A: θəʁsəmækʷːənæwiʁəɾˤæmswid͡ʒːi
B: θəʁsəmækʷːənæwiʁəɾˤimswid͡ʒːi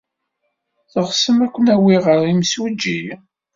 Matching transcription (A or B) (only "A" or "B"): B